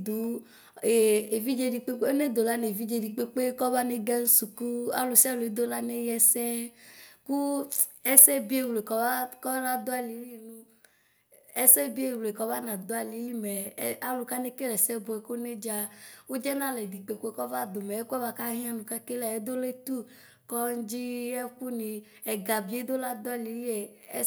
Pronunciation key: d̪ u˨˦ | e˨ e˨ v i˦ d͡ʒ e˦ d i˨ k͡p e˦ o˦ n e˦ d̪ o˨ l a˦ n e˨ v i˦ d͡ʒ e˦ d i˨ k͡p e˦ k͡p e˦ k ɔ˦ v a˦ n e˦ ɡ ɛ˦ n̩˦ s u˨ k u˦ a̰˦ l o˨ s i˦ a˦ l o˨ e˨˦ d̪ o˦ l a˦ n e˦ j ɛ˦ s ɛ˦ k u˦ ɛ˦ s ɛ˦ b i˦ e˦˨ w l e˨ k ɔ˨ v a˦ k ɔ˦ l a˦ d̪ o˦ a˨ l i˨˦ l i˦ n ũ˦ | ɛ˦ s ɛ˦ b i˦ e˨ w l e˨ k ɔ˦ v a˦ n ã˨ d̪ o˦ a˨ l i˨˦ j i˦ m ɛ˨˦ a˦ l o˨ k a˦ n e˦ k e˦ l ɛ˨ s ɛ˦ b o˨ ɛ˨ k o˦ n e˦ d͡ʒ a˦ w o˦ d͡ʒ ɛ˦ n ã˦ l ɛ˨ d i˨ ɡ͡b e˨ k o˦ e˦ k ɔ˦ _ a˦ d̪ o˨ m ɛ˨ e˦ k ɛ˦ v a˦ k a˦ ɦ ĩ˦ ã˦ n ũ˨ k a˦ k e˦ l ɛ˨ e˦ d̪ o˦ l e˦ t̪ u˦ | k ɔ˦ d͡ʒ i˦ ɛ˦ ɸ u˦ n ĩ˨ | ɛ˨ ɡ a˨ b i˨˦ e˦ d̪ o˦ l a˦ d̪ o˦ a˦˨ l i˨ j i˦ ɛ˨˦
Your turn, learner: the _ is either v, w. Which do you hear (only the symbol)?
v